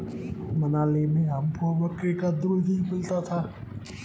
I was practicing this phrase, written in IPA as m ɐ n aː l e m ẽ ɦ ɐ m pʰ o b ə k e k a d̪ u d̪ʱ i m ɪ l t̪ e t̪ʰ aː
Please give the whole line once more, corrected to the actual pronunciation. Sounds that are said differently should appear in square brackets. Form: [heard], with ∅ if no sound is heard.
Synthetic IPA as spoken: m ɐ n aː l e m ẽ ɦ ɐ m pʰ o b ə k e k a d̪ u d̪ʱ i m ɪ l t̪ [a] t̪ʰ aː